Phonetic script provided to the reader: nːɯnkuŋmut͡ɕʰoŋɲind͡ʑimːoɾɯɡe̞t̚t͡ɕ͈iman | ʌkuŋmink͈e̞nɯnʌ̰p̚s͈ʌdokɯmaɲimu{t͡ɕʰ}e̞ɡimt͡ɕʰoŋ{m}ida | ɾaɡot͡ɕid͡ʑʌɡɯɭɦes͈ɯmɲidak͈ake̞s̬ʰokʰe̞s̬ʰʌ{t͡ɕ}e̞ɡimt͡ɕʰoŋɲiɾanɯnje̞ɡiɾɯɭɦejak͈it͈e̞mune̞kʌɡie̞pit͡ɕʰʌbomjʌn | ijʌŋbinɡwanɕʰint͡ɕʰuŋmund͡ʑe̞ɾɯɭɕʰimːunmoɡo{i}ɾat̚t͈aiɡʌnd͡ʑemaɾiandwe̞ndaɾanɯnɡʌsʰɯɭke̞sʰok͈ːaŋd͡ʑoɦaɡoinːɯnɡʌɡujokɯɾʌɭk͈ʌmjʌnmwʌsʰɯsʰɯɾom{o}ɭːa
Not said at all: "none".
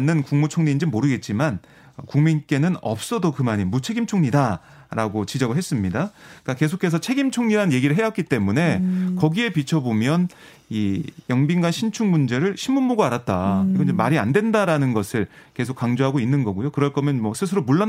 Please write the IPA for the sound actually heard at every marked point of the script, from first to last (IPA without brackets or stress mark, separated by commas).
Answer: t͡ɕʰ, ɲ, t͡ɕʰ, a, u